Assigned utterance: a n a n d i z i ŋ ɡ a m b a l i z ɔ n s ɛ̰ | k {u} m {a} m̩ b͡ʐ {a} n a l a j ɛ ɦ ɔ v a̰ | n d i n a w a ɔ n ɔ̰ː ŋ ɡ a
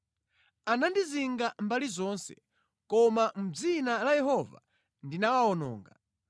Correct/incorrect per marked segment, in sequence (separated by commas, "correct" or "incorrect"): incorrect, correct, incorrect